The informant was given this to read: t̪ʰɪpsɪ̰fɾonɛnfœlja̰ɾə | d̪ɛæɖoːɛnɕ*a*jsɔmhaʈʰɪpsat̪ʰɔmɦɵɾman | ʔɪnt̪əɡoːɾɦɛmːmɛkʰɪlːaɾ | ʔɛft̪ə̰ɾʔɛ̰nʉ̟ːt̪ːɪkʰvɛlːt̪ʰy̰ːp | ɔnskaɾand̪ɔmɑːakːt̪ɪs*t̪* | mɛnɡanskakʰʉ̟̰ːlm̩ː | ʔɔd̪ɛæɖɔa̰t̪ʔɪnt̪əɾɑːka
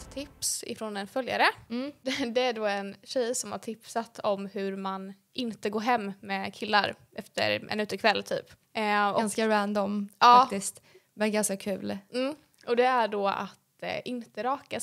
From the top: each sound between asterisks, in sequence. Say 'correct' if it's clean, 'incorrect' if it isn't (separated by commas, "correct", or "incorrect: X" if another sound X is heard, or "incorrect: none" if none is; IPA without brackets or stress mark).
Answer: incorrect: ɛ, correct